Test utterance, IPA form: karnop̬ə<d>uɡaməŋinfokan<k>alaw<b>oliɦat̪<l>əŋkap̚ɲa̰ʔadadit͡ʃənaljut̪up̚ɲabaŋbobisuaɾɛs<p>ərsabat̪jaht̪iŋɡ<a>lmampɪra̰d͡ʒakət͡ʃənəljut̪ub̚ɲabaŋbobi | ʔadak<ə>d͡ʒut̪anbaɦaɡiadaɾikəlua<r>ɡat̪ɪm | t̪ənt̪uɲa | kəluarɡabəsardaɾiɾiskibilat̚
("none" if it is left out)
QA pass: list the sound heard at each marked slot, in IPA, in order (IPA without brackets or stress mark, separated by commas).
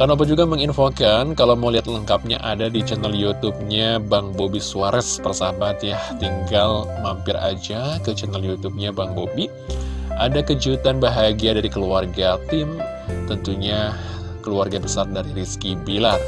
d͡ʒ, k, m, l, p, a, ə, r